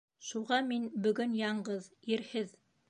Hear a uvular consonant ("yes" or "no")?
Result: yes